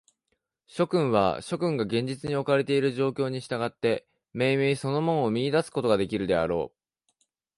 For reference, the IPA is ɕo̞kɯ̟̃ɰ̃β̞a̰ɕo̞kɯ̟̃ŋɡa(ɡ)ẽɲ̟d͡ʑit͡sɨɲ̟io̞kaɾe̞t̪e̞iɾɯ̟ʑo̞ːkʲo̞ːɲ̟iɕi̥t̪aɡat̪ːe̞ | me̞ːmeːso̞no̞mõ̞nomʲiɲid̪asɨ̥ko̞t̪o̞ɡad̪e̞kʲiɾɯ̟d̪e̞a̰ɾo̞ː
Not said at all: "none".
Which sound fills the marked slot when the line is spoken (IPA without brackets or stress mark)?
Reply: ɡ